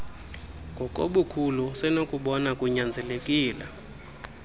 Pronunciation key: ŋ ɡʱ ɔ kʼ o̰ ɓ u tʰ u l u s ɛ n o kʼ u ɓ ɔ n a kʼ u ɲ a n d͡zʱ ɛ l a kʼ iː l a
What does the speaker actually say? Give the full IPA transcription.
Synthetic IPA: ŋ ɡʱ ɔ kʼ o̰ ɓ u kʰ u l u s ɛ n o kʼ u ɓ ɔ n a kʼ u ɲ a n d͡zʱ ɛ l e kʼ iː l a

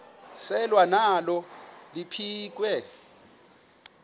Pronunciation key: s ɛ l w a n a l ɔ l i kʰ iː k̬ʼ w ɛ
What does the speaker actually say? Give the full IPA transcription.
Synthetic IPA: s ɛ l w a n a l ɔ l i pʰ iː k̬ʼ w ɛ

